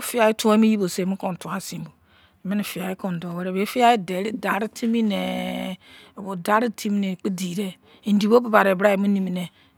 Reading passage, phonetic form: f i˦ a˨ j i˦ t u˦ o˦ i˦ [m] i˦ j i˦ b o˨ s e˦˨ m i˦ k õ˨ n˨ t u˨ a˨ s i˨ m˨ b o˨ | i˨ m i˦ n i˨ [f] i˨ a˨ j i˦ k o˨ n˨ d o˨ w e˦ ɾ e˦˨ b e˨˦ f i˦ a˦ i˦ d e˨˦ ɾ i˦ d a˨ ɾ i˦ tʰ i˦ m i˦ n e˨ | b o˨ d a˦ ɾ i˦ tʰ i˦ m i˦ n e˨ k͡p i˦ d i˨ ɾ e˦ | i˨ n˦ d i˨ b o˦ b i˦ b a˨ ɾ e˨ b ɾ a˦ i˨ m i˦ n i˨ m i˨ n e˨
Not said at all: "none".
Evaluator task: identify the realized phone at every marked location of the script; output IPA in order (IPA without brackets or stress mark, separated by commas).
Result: m, f